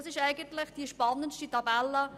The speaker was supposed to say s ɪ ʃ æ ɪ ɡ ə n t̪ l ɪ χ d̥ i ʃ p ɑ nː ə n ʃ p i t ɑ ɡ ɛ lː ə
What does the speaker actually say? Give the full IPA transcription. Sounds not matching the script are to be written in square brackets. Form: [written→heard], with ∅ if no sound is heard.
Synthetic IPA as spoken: s ɪ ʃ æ ɪ ɡ ə n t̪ l ɪ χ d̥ i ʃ p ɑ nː ə n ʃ [p→t] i t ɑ [ɡ→b] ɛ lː ə